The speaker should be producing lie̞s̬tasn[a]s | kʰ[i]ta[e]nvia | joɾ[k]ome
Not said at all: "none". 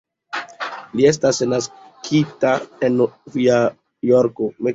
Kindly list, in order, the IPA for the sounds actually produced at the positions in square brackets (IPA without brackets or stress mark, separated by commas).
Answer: a, i, e, k